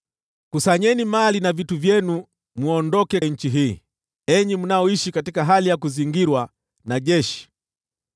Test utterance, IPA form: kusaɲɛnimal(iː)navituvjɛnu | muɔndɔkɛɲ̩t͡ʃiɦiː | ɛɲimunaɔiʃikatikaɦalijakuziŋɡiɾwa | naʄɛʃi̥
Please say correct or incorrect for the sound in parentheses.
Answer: incorrect: i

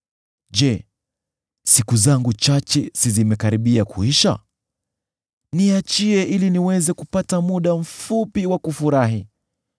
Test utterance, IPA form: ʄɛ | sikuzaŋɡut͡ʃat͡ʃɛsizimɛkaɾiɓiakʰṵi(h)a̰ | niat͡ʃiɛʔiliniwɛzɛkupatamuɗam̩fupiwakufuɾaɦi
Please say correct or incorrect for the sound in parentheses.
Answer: incorrect: ʃ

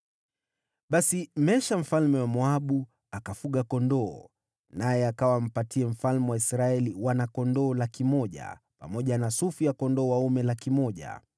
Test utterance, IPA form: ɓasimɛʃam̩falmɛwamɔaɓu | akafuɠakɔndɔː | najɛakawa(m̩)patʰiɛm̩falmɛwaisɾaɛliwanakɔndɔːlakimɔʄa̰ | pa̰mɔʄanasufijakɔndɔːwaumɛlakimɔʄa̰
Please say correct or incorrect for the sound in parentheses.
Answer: correct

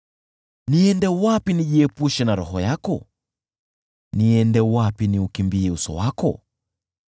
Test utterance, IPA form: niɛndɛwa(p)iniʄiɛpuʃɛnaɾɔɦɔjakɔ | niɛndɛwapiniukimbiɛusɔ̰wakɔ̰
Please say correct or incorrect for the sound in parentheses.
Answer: correct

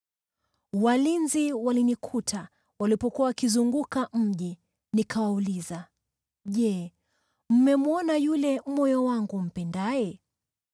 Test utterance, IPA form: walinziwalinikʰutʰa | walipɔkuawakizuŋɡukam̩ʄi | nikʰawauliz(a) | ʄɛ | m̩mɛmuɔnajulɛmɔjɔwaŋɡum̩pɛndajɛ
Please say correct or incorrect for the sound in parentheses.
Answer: correct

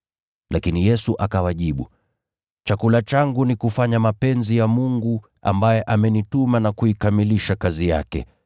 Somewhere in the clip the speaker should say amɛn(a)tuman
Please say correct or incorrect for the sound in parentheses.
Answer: incorrect: i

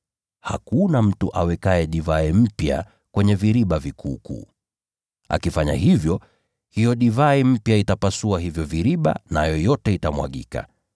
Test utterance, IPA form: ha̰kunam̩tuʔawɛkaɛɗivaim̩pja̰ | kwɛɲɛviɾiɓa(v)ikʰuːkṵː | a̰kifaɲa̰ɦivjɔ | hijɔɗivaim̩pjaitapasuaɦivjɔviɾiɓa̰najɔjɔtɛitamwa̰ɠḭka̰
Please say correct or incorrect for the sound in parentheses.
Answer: correct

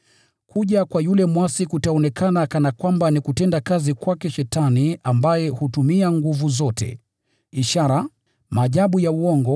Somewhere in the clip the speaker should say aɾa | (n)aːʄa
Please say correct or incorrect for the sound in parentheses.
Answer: incorrect: m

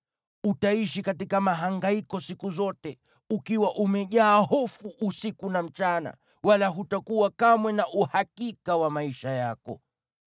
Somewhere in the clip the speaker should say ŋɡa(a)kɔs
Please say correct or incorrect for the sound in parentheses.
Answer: incorrect: i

